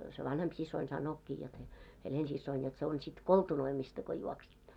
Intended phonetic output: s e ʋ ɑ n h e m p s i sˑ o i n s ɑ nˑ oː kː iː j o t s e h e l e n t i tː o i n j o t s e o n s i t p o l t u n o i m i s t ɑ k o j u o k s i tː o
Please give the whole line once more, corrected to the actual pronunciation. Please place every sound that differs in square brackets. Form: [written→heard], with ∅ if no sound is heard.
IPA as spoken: s e ʋ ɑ n h e m p s i sˑ o i n s ɑ nˑ oː kː iː j o t s e h e l e n [t→s] i [tː→sː] o i n j o t s e o n s i t [p→k] o l t u n o i m i s t ɑ k o j u o k s i tː o